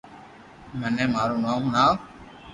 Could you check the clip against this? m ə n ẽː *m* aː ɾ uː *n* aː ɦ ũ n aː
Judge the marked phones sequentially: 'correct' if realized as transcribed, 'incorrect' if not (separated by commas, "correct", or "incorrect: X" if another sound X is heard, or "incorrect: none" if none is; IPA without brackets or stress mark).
correct, correct